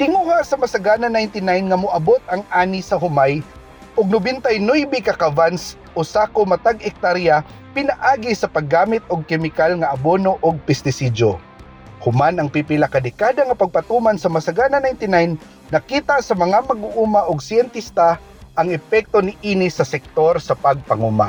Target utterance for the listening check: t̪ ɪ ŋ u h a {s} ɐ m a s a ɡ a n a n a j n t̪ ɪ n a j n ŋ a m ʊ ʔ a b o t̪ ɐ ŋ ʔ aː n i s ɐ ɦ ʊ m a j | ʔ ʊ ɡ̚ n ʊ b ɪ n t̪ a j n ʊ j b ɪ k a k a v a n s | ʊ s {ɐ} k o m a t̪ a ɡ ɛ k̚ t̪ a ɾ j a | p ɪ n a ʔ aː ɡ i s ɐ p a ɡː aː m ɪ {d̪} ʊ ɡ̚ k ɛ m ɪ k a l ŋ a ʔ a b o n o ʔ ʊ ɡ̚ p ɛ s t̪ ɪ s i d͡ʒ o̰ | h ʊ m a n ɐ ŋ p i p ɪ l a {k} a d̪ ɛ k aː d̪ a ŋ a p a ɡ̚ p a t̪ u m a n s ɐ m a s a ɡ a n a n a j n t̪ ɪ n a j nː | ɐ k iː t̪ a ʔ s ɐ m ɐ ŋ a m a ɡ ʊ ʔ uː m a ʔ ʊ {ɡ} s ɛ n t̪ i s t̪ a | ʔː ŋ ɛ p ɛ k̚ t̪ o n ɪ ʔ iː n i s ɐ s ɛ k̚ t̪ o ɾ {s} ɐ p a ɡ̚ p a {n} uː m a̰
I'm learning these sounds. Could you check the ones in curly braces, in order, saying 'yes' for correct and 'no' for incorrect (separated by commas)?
yes, no, no, yes, yes, yes, no